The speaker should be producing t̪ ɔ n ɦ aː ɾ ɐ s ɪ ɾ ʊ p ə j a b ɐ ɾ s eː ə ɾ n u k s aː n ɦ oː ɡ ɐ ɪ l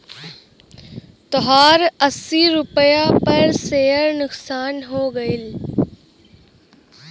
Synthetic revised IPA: t̪ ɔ ɦ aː ɾ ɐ s i ɾ ʊ p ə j a p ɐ ɾ s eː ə ɾ n ʊ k s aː n ɦ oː ɡ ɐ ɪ l